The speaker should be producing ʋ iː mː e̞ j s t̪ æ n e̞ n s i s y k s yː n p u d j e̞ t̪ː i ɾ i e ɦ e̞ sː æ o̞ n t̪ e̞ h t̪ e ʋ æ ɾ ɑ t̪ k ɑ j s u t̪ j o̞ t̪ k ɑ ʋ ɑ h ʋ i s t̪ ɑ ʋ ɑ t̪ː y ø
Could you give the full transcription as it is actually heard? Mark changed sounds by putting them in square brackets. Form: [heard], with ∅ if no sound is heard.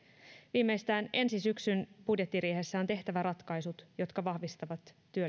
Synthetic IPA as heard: ʋ iː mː e̞ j s t̪ [æː] n e̞ n s i s y k s [y] n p u d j e̞ t̪ː i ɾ i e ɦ e̞ sː æ o̞ n t̪ e̞ h t̪ [æ] ʋ æ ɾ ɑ t̪ k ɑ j s u t̪ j o̞ t̪ k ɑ ʋ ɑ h ʋ i s t̪ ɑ ʋ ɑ t̪ː y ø

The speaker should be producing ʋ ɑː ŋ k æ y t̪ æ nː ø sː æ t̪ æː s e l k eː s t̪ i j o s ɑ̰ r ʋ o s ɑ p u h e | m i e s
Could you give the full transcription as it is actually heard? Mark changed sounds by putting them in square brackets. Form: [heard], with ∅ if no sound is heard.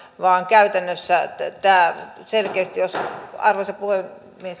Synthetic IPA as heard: ʋ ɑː ŋ k æ y t̪ æ nː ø sː æ t̪ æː s e l k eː s t̪ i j o s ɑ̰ r ʋ o s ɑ p u h e | m i e s

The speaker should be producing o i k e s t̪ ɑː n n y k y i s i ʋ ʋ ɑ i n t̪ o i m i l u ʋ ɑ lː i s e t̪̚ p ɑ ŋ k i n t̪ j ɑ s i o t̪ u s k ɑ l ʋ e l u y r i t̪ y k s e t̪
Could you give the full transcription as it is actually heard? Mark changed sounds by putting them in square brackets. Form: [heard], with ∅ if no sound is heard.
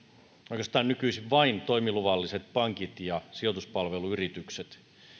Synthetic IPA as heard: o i k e s t̪ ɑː n n y k y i s i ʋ ʋ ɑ i n t̪ o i m i l u ʋ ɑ lː i s e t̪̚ p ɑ ŋ k i [∅] t̪ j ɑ s i o t̪ u s [p] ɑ l ʋ e l u y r i t̪ y k s e t̪

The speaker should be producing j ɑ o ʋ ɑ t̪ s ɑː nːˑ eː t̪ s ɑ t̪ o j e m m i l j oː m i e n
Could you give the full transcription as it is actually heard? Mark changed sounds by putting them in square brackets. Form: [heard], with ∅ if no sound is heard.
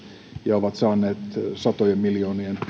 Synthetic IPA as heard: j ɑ o ʋ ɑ t̪ s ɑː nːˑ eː t̪ s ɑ t̪ o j e m m i l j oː [n] i e n

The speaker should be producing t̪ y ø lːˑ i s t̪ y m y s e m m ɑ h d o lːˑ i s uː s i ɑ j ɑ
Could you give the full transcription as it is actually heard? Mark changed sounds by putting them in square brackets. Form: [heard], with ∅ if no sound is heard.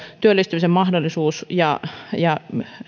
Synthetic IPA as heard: t̪ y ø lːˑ i s t̪ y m [i] s e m m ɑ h d o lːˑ i s uː s [j] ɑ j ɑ

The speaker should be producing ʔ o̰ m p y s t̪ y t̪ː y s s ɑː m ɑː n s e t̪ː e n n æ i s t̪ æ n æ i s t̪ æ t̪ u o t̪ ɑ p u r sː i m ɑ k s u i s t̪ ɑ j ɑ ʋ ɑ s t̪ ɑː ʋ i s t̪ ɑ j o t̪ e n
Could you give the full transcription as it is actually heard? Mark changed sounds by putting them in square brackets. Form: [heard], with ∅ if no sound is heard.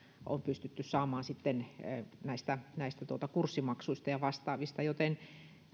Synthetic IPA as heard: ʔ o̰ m p y s t̪ y t̪ː y s s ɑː m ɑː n s [i] t̪ː e n n æ i s t̪ æ n æ i s t̪ æ t̪ u o t̪ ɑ [k] u r sː i m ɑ k s u i s t̪ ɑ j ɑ ʋ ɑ s t̪ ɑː ʋ i s t̪ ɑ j o t̪ e n

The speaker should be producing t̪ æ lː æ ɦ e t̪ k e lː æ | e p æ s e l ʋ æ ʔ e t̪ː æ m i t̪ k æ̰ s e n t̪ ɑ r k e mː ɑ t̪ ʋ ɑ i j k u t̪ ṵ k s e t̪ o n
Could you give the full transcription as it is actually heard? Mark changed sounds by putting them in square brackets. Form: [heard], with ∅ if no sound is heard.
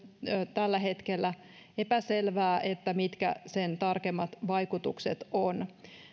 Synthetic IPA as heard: t̪ æ lː æ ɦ e t̪ k e lː æ | e p æ s e l ʋ [æː] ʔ e t̪ː æ m i t̪ k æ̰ s e n t̪ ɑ r k e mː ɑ t̪ ʋ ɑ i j k u t̪ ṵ k s e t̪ o n

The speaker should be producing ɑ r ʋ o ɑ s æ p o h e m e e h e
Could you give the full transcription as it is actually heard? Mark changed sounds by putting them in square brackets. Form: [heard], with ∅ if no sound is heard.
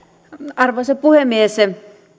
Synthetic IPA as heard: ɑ r ʋ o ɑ s [e] p [u] h e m [i] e [s] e

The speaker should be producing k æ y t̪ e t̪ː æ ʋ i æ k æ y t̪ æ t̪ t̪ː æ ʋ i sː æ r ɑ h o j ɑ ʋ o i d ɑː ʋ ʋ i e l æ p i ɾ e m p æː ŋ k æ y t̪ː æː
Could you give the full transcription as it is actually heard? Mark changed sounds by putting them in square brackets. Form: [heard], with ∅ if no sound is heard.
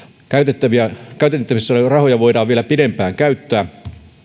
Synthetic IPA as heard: k æ y t̪ e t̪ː æ ʋ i æ k æ y t̪ [e] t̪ t̪ː æ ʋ i sː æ r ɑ h o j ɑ ʋ o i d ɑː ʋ ʋ i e l æ p i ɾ e m p æː ŋ k æ y t̪ː æː

